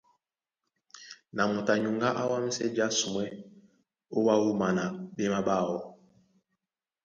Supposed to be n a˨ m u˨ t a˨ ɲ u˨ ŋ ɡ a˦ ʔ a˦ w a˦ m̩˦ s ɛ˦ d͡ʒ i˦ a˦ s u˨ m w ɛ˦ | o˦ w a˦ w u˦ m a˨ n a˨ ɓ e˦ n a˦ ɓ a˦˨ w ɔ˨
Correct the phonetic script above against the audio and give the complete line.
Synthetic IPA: n a˨ m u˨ t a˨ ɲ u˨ ŋ ɡ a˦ ʔ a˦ w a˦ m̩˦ s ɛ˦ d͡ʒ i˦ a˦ s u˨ m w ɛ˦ | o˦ w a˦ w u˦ m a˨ n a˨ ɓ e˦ m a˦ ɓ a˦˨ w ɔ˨